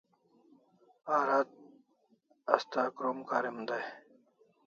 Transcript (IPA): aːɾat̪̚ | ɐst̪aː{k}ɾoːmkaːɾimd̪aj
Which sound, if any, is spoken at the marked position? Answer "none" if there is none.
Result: k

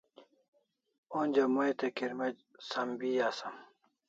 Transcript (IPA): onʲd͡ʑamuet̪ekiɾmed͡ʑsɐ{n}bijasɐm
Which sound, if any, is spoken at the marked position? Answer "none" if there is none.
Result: m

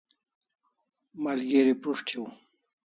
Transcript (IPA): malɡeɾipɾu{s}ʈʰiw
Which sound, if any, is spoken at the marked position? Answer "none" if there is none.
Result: ʂ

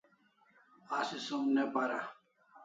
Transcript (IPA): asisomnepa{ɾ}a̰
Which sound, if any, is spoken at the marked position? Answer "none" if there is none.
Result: ɾ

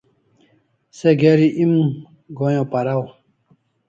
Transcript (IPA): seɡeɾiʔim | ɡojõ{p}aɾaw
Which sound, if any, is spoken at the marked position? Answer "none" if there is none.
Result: p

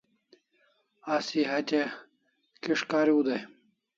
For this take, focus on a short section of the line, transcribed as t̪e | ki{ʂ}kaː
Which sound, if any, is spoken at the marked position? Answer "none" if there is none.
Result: ʂ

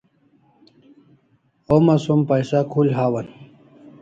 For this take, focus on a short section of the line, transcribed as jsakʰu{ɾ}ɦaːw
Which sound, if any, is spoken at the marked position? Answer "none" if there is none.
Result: l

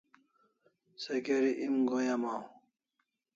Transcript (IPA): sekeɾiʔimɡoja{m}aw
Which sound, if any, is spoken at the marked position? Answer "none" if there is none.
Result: m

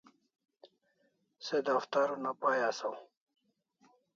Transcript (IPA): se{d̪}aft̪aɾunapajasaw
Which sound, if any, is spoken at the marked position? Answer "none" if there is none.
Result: d̪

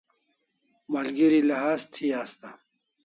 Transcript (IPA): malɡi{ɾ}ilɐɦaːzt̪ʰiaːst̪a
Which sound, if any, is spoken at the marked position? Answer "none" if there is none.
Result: ɾ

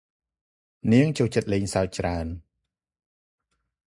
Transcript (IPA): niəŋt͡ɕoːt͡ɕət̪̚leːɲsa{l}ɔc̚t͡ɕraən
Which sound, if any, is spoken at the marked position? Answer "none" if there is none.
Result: none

